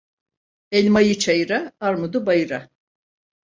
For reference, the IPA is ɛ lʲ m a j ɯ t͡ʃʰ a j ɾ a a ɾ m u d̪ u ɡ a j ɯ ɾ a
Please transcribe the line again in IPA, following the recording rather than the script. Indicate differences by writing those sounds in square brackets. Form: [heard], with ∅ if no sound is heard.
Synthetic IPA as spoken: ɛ lʲ m a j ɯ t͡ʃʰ a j ɾ a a ɾ m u d̪ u [b] a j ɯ ɾ a